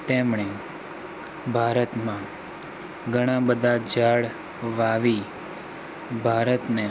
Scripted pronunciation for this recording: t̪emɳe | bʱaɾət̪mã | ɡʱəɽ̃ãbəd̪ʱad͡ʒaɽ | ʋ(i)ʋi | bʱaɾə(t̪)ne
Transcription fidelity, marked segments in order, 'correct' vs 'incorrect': incorrect, correct

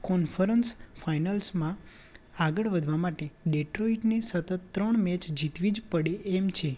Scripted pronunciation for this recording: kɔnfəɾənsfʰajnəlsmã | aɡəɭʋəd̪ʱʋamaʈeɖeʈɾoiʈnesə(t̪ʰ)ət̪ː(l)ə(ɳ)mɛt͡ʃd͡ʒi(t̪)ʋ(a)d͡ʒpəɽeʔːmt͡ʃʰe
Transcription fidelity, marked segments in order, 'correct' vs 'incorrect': incorrect, incorrect, correct, correct, incorrect

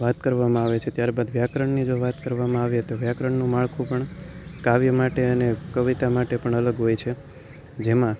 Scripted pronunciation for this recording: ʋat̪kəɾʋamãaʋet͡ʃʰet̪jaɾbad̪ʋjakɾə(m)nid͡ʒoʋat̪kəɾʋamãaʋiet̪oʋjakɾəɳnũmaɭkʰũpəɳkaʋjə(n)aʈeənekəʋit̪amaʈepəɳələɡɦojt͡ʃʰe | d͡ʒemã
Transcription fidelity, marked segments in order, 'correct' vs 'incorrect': incorrect, incorrect

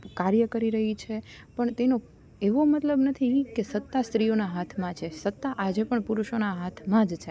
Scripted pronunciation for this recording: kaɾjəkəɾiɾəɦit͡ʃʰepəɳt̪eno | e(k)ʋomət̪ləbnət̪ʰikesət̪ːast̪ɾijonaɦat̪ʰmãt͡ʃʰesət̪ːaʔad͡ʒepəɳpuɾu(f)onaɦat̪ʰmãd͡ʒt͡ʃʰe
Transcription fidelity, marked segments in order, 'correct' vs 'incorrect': incorrect, incorrect

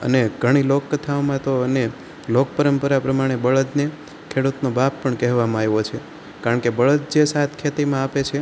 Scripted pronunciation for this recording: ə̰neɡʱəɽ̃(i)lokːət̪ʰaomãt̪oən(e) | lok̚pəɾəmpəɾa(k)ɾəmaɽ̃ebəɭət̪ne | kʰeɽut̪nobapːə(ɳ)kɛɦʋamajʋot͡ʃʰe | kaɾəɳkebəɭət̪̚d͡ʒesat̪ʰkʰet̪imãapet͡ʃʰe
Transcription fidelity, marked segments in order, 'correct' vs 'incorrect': correct, correct, incorrect, correct

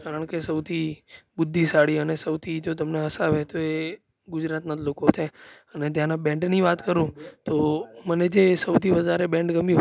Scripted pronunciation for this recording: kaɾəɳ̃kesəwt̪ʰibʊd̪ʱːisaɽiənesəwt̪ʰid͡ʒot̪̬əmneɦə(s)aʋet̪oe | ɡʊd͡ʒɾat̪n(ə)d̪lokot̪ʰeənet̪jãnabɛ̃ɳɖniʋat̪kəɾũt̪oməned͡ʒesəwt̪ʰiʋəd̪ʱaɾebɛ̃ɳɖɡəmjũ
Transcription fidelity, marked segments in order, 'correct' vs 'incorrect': correct, incorrect

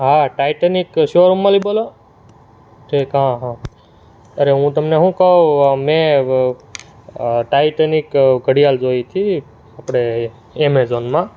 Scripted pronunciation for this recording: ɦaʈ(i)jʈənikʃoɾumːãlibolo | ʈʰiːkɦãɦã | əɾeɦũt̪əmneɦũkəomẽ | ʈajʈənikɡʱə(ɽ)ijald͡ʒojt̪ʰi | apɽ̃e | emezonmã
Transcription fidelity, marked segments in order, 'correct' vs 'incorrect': incorrect, correct

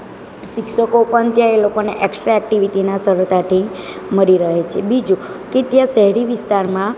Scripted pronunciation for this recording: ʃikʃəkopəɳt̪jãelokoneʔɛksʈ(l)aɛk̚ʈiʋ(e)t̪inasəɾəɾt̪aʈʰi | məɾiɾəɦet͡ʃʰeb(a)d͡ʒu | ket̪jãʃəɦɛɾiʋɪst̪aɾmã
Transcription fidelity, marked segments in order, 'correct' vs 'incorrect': incorrect, incorrect, incorrect

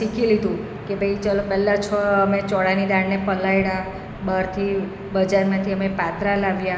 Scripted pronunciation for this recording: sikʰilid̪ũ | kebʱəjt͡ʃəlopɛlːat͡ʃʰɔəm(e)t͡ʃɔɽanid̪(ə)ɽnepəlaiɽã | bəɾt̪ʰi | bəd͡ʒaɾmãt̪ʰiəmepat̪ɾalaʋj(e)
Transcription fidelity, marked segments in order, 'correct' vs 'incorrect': correct, incorrect, incorrect

